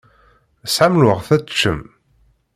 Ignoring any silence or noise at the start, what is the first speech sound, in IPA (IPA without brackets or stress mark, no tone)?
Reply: s